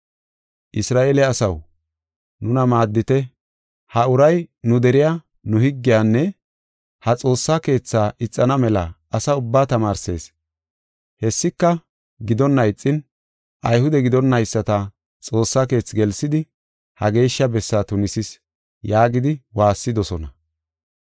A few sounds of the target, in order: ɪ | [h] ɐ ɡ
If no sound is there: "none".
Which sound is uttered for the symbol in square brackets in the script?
h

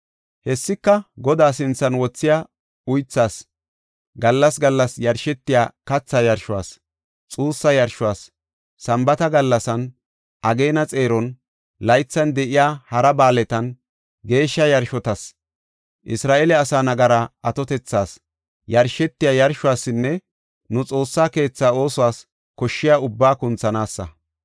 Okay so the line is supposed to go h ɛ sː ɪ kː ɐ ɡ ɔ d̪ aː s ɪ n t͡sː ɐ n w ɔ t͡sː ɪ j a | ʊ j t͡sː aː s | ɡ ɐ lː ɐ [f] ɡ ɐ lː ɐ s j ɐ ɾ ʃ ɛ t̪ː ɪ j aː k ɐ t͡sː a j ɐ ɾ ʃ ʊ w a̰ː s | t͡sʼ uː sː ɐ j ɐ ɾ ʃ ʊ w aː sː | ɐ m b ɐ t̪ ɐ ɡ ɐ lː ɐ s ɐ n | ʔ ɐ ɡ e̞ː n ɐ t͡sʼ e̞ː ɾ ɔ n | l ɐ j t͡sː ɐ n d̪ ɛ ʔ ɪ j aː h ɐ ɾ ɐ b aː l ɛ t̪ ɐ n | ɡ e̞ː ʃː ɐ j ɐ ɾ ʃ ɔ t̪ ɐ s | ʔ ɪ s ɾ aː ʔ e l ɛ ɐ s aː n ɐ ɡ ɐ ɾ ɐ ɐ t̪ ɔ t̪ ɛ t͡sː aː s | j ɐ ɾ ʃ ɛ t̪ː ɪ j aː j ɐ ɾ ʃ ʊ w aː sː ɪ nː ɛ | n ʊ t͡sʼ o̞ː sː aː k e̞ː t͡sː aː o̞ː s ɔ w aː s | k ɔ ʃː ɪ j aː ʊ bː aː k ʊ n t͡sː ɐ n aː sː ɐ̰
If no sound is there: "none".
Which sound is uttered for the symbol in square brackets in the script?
s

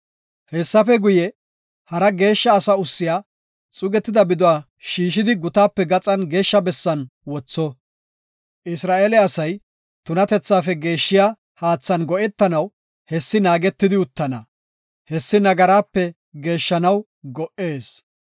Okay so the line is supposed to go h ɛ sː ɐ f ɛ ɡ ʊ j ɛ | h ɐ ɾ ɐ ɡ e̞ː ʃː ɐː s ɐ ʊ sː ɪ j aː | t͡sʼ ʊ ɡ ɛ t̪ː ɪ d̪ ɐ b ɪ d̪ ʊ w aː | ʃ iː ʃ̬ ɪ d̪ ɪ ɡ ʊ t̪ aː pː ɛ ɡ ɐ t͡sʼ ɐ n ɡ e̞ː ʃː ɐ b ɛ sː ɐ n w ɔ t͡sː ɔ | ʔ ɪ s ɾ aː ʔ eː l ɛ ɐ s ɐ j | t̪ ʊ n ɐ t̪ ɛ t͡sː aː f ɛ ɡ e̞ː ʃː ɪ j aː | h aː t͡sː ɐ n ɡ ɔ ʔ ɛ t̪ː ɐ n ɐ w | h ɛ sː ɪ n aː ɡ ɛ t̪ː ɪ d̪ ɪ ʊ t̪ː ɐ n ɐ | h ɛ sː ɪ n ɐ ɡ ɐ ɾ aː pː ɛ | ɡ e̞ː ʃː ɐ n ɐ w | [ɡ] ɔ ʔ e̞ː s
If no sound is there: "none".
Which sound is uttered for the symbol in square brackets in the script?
ɡ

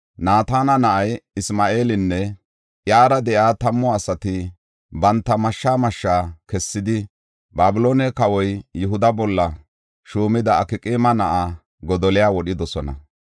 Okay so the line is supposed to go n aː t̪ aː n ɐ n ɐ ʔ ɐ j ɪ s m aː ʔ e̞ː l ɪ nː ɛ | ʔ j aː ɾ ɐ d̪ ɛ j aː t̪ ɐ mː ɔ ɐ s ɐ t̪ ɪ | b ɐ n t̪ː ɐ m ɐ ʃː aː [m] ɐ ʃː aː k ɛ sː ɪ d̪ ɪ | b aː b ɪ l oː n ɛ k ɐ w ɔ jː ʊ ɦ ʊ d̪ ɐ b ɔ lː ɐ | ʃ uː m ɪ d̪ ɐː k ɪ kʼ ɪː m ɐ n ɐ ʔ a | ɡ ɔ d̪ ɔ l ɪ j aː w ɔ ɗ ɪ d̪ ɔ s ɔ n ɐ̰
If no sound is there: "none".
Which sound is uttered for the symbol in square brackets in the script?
m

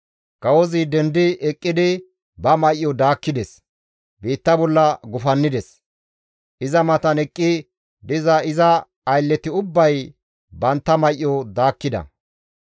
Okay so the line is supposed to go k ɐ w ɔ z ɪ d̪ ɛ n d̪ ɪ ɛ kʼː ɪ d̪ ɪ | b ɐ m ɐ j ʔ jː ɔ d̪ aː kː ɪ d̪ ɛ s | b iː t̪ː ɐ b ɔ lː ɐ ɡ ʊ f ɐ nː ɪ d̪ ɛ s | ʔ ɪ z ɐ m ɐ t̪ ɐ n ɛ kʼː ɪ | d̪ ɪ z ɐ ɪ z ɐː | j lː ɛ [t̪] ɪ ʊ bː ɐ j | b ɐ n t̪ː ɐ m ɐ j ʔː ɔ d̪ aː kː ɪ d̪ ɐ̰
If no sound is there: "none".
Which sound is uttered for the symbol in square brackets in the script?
t̪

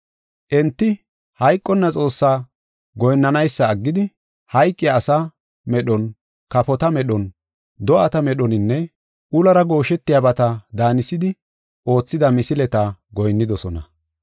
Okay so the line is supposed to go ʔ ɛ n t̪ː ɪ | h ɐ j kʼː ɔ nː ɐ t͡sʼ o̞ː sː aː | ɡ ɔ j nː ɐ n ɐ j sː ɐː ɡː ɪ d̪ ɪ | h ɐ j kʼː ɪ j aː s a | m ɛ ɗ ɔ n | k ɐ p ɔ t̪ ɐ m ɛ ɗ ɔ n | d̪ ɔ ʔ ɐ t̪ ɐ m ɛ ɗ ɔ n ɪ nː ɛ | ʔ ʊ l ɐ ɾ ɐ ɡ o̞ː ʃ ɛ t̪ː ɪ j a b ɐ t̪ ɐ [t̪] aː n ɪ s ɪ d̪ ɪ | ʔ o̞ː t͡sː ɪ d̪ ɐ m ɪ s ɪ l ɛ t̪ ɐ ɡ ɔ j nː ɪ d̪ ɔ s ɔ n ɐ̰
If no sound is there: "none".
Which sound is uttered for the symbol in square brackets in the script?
d̪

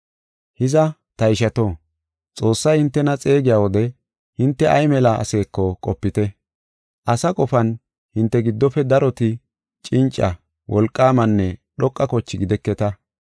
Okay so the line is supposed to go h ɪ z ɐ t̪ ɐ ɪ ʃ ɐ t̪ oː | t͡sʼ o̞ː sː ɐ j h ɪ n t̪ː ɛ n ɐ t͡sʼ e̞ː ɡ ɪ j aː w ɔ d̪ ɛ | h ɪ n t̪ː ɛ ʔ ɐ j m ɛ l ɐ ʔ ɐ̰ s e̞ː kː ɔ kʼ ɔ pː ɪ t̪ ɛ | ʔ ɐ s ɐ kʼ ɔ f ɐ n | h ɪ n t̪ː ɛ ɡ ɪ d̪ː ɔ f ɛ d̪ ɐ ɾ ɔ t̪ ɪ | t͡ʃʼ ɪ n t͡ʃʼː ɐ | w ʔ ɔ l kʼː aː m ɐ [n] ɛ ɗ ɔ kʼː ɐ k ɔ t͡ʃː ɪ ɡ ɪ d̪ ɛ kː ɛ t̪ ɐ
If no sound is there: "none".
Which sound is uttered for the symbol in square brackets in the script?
nː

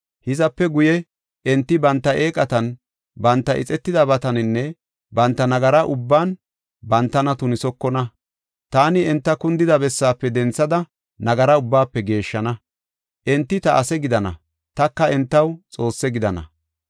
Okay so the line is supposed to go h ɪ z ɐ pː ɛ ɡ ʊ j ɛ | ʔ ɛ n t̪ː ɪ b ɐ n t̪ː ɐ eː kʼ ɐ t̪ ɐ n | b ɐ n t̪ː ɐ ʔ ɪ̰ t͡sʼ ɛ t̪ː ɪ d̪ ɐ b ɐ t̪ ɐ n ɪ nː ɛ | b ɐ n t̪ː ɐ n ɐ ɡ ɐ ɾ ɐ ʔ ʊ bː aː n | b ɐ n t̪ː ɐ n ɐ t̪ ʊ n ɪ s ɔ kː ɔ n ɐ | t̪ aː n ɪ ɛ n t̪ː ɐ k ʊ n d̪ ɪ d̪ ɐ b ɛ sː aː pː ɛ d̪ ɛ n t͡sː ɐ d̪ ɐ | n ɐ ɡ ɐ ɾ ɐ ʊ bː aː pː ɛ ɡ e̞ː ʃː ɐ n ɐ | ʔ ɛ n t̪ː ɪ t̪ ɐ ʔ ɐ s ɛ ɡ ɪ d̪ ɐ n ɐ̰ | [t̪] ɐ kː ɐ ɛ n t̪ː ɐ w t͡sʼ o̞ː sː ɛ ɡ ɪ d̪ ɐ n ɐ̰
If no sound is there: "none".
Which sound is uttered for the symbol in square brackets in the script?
t̪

